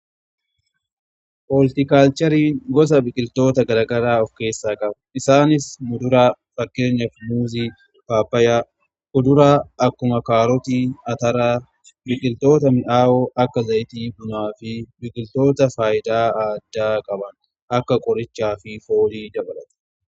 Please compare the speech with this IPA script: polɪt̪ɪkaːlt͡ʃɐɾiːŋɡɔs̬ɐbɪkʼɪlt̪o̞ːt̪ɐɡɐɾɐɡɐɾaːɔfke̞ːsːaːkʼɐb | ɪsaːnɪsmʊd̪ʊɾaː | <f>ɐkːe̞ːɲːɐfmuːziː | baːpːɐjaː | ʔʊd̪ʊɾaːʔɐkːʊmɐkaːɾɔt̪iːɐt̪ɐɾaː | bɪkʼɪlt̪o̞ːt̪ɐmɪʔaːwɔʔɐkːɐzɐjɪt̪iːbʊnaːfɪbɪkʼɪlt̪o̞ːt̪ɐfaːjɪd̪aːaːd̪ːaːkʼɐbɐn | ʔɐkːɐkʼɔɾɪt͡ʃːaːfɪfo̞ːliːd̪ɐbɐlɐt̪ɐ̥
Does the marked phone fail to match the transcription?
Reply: no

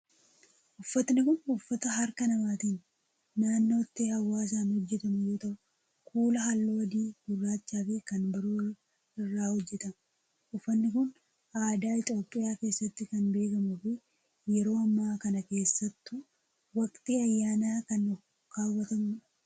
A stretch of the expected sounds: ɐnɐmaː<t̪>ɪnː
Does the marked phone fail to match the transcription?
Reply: no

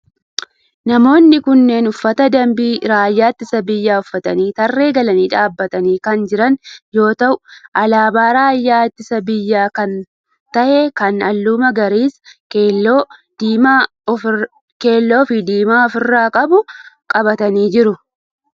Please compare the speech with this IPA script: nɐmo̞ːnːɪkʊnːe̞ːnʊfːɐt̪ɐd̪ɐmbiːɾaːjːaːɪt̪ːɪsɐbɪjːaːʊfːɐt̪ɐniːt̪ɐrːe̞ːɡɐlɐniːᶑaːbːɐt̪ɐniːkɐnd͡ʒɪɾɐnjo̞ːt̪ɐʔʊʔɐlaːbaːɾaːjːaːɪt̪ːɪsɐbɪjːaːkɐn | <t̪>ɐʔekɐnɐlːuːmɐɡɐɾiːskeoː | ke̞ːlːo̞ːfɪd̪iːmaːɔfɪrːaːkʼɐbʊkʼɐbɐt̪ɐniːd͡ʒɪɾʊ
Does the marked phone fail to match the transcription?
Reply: no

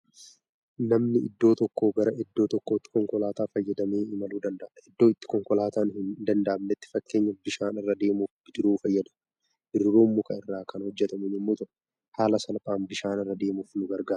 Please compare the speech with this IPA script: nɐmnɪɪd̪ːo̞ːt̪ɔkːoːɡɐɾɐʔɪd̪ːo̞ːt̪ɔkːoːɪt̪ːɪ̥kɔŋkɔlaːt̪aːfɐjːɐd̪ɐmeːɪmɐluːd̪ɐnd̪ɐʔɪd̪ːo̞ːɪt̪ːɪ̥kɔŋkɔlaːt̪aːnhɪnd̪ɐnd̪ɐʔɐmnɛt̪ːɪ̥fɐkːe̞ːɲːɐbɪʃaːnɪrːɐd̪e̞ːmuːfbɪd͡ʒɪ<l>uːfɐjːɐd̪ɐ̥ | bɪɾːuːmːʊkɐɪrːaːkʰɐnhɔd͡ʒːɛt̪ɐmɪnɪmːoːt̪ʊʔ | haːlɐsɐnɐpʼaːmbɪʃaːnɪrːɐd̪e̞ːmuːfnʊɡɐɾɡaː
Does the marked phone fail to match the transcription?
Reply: yes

